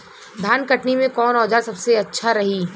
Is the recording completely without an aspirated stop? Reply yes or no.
yes